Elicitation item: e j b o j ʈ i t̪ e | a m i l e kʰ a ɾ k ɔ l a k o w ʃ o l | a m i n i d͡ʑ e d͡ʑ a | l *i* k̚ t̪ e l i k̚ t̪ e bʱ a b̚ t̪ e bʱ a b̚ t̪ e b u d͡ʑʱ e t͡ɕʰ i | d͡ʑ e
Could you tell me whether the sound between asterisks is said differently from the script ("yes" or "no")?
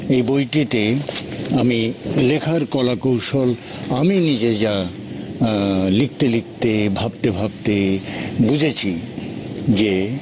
no